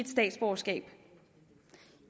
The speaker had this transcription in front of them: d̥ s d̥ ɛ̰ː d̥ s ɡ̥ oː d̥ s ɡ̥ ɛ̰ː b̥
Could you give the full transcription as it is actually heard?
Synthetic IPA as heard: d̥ s d̥ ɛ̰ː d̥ s b̥ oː s ɡ̥ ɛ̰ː b̥